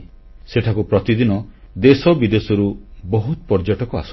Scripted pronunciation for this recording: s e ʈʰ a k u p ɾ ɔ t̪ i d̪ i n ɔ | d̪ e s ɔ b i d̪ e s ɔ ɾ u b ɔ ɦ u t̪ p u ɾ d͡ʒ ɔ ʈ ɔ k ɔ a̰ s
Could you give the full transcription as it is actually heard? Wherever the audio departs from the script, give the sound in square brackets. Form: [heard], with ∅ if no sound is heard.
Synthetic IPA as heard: s e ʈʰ a k u p ɾ ɔ t̪ i d̪ i n ɔ | d̪ e s ɔ b i d̪ e s ɔ ɾ u b ɔ ɦ u t̪ p [ɔ] ɾ d͡ʒ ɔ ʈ ɔ k ɔ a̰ s

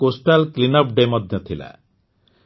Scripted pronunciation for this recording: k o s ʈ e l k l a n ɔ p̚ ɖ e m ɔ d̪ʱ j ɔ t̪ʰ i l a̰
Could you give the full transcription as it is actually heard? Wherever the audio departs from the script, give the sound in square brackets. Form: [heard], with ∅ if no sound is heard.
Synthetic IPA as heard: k o s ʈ [a] l k l [i] n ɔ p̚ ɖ e m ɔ d̪ʱ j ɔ t̪ʰ i l a̰

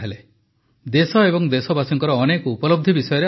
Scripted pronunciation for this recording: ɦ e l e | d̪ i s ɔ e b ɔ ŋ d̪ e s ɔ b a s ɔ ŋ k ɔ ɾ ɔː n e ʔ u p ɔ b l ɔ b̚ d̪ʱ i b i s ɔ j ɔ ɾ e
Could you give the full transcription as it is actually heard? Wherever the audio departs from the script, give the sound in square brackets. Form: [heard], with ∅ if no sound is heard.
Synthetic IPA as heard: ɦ e l e | d̪ [e] s ɔ e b ɔ ŋ d̪ e s ɔ b a s ɔ ŋ k ɔ ɾ ɔː n e [k] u p ɔ [∅] l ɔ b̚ d̪ʱ i b i s ɔ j ɔ ɾ e

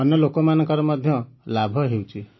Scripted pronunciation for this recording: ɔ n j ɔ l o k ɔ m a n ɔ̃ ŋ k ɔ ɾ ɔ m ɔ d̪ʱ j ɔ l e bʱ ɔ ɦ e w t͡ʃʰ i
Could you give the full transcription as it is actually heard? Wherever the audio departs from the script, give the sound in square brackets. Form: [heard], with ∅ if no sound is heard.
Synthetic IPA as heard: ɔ n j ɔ l o k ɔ m a n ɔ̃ ŋ k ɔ ɾ ɔ m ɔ d̪ʱ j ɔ l [a] bʱ ɔ ɦ e w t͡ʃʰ i

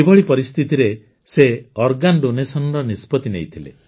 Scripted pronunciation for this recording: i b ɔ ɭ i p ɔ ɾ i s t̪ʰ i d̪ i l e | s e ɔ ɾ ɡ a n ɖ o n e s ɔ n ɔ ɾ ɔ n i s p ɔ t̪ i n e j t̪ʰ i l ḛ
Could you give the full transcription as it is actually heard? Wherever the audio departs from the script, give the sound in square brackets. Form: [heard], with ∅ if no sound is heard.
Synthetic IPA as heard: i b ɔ ɭ i p ɔ ɾ i s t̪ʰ i [t̪] i [ɾ] e | s e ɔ ɾ ɡ a n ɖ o n e s ɔ n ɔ ɾ ɔ n i s p ɔ t̪ i n e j t̪ʰ i l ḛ

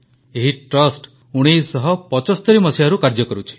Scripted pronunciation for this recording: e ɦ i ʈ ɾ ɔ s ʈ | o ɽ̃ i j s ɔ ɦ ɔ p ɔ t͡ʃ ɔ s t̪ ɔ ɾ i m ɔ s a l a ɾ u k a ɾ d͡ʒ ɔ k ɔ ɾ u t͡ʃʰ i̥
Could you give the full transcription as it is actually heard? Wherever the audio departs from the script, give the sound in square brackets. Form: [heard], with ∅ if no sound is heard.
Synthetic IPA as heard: e ɦ i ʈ ɾ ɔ s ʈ | [u] ɽ̃ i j s ɔ ɦ ɔ p ɔ t͡ʃ ɔ s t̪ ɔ ɾ i m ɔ s [i] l a ɾ u k a ɾ d͡ʒ ɔ k ɔ ɾ u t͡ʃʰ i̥

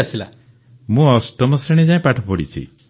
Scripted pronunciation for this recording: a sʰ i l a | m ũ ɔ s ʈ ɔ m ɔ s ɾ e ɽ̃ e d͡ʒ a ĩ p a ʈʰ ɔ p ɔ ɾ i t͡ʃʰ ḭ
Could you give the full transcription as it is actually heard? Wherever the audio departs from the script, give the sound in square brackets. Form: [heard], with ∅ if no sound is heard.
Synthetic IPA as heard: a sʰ i l a | m ũ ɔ s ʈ ɔ m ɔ s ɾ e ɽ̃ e d͡ʒ a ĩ p a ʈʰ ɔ p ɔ [ɽ] i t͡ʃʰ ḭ

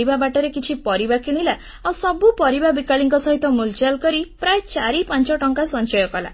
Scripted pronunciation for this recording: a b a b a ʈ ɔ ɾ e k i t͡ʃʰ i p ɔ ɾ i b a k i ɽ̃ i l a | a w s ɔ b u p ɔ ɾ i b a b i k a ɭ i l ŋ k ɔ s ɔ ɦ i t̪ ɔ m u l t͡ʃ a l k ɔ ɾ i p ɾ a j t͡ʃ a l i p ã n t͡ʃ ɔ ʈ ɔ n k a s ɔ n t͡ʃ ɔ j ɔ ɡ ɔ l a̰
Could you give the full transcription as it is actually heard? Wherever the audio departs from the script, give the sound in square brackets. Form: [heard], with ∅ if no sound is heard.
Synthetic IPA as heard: [i] b a b a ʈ ɔ ɾ e k i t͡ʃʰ i p ɔ ɾ i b a k i ɽ̃ i l a | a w s ɔ b u p ɔ ɾ i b a b i k a ɭ i [∅] ŋ k ɔ s ɔ ɦ i t̪ ɔ m u l t͡ʃ a l k ɔ ɾ i p ɾ a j t͡ʃ a [ɾ] i p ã n t͡ʃ ɔ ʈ ɔ [ŋ] k a s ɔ n t͡ʃ ɔ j ɔ [k] ɔ l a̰

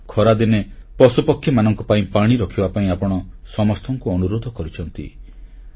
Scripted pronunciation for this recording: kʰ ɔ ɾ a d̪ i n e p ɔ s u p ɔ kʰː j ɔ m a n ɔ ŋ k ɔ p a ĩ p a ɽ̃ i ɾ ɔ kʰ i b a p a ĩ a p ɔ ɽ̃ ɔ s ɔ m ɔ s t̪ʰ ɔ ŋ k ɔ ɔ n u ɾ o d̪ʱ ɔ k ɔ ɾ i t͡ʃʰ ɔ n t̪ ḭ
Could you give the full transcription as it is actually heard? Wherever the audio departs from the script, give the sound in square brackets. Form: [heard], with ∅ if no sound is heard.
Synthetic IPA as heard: kʰ ɔ ɾ a d̪ i n e p ɔ s u p ɔ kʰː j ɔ m a n ɔ ŋ k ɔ p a ĩ p a ɽ̃ i ɾ ɔ kʰ i b a p a ĩ a p ɔ ɽ̃ ɔ s ɔ m ɔ s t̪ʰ ɔ ŋ k [u] ɔ n u ɾ o d̪ʱ ɔ k ɔ ɾ i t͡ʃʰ ɔ n t̪ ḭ

